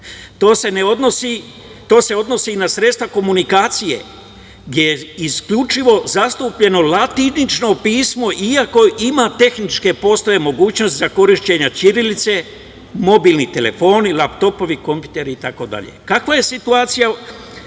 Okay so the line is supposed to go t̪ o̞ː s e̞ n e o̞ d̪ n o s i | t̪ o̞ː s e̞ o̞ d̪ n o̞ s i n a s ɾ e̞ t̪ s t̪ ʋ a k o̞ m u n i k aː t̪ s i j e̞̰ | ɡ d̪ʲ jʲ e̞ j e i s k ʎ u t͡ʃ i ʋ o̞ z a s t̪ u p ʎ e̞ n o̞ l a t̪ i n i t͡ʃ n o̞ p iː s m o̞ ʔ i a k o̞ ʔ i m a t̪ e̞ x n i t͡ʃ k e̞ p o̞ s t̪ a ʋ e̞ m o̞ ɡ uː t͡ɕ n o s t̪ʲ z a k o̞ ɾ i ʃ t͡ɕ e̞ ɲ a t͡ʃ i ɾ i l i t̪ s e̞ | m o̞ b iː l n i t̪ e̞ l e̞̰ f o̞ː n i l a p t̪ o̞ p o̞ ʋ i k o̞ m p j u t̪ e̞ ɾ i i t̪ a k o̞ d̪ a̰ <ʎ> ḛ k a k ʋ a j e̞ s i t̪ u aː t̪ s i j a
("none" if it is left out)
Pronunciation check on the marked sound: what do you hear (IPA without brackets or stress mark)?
ʎ